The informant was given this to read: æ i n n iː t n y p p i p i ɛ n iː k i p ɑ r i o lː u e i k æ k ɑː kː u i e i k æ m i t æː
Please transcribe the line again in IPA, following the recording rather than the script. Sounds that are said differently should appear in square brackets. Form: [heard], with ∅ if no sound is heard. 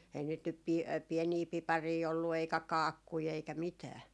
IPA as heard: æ i n n iː t n y p p i p i ɛ n iː [p] i p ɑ r [iː] o lː u e i k æ k ɑː kː u i e i k æ m i t æː